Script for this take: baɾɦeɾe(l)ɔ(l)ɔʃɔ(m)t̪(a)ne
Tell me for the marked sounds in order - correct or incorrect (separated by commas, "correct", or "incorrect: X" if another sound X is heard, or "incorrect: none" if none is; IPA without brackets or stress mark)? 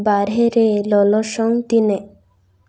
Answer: correct, correct, incorrect: ŋ, incorrect: i